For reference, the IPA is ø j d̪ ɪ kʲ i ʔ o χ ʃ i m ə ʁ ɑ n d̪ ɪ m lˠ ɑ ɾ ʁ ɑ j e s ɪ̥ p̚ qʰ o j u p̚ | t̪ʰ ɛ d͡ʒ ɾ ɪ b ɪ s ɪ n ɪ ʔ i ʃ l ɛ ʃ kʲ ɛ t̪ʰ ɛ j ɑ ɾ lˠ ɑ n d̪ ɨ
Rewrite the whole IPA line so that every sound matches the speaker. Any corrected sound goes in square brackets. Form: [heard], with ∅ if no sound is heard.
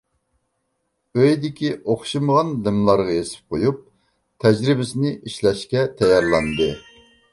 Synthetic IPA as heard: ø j d̪ ɪ kʲ i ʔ o χ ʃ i m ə ʁ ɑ n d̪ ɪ m lˠ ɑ ɾ ʁ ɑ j e s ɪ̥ p̚ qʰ o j u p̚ | t̪ʰ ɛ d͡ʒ ɾ ɪ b ɪ s ɪ n ɪ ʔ i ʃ l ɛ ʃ kʲ ɛ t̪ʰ ɛ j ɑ ɾ lˠ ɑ n d̪ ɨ